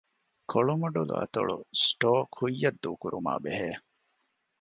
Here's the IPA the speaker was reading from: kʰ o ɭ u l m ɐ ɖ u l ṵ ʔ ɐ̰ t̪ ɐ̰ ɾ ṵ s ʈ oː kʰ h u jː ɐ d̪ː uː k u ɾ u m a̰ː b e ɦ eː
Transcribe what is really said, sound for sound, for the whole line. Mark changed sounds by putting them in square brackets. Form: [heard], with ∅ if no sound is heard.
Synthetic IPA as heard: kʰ o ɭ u [∅] m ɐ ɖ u l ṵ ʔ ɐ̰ t̪ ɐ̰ [ɭ] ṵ s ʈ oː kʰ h u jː ɐ d̪ː uː k u ɾ u m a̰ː b e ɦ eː